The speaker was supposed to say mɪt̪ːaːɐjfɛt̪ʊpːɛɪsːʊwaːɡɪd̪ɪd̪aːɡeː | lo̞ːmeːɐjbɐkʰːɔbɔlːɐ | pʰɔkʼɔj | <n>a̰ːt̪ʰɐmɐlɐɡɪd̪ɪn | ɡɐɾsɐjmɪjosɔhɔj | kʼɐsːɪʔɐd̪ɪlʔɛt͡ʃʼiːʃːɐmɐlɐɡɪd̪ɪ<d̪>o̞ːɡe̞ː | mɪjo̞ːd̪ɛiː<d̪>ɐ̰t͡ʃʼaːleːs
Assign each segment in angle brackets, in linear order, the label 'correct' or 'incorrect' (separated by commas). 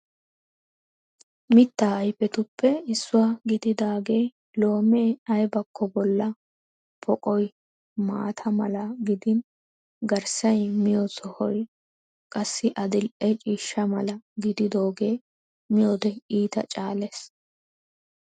incorrect, correct, incorrect